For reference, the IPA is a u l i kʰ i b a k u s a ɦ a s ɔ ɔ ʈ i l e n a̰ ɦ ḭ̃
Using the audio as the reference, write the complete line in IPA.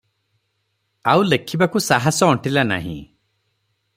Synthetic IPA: a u l e kʰ i b a k u s a ɦ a s ɔ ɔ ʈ i l a n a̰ ɦ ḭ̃